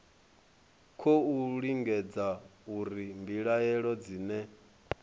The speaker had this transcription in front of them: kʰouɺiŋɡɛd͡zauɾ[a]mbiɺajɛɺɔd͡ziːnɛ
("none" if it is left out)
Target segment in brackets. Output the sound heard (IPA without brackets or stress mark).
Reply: i